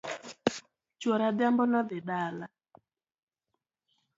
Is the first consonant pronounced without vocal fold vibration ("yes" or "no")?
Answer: yes